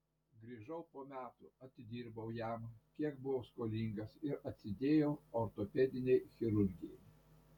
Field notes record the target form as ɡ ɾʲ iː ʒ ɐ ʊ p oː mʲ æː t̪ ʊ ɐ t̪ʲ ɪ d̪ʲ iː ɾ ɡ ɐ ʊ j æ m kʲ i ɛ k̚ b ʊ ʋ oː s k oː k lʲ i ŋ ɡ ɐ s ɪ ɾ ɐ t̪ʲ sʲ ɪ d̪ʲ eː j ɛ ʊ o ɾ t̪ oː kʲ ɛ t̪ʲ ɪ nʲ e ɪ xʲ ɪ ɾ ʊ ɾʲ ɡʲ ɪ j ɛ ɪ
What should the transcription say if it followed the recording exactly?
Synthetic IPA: ɡ ɾʲ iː ʒ ɐ ʊ p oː mʲ æː t̪ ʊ ɐ t̪ʲ ɪ d̪ʲ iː ɾ b ɐ ʊ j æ m kʲ i ɛ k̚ b ʊ ʋ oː s k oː lʲ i ŋ ɡ ɐ s ɪ ɾ ɐ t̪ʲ sʲ ɪ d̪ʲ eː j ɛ ʊ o ɾ t̪ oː pʲ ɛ d̪ʲ ɪ nʲ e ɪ xʲ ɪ ɾ ʊ ɾʲ ɡʲ ɪ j ɛ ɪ